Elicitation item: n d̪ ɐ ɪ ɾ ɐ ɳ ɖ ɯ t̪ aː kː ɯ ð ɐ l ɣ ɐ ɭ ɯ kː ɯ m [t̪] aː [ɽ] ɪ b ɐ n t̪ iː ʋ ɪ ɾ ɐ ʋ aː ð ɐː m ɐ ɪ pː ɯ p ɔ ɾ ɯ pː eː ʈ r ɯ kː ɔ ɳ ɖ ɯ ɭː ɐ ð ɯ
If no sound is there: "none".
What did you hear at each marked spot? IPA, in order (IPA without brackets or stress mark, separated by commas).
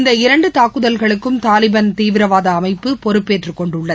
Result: t̪, l